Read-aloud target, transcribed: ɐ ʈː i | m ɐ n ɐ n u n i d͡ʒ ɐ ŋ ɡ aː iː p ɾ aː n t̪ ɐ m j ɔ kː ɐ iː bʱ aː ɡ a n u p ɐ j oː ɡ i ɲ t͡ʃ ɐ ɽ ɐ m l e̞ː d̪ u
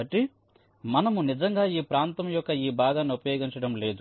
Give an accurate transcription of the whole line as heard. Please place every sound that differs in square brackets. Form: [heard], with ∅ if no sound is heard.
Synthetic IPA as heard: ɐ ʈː i | m ɐ n ɐ [m] u n i d͡ʒ ɐ ŋ ɡ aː iː p ɾ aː n t̪ ɐ m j ɔ kː ɐ iː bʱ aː ɡ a n u p ɐ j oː ɡ i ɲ t͡ʃ ɐ ɽ ɐ m l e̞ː d̪ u

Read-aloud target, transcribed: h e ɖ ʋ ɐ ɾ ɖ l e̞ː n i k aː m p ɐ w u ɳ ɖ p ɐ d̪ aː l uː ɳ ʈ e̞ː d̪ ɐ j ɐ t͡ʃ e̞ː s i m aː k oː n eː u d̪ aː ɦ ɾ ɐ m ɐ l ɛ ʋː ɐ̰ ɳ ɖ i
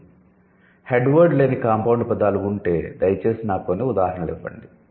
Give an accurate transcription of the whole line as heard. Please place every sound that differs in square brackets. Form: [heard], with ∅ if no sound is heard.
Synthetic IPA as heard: h e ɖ ʋ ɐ ɾ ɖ l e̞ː n i k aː m p ɐ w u ɳ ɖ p ɐ d̪ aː l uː ɳ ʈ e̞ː d̪ ɐ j ɐ t͡ʃ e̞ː s i [n] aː k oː n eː u d̪ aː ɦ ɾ ɐ [ɳ] ɐ l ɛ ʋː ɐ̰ ɳ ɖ i

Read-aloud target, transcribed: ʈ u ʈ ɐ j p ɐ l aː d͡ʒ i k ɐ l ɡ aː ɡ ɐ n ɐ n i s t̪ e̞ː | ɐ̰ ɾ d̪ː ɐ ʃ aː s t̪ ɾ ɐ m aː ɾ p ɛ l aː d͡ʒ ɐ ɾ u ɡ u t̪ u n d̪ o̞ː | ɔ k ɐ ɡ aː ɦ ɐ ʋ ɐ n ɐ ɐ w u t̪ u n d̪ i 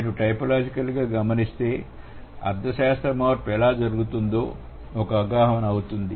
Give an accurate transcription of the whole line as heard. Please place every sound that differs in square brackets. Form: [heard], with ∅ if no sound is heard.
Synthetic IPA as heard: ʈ u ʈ ɐ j p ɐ l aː d͡ʒ i k ɐ l ɡ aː ɡ ɐ [m] ɐ n i s t̪ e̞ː | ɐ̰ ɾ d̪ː ɐ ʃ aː s t̪ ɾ ɐ m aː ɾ p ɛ l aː d͡ʒ ɐ ɾ u ɡ u t̪ u n d̪ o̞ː | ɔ k ɐ ɡ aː ɦ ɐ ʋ ɐ n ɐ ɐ w u t̪ u n d̪ i

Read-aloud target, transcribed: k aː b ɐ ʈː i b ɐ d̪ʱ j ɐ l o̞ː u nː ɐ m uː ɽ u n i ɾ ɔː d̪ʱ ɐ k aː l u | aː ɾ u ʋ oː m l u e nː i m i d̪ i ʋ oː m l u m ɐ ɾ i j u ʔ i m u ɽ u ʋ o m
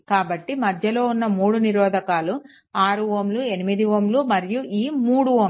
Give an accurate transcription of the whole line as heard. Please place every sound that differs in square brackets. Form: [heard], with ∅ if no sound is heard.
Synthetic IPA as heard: k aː b ɐ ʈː i [m] ɐ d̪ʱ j ɐ l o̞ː u nː ɐ m uː ɽ u n i ɾ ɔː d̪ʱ ɐ k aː l u | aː ɾ u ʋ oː m l u e [n] i m i d̪ i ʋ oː m l u m ɐ ɾ i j u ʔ [iː] m [uː] ɽ u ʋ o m

